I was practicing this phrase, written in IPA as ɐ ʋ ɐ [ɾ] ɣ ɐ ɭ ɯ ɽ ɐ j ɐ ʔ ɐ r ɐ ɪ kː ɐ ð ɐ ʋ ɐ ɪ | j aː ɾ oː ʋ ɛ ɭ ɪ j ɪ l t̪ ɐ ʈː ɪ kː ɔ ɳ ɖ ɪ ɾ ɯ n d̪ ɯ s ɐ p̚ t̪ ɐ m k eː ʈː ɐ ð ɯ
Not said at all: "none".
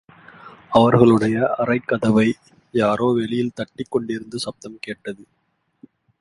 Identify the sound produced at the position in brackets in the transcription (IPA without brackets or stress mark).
ɾ